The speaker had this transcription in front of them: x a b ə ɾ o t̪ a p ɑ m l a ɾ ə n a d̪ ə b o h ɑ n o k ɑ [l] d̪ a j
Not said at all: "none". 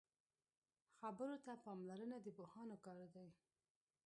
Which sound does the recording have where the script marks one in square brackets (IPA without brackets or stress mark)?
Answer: ɾ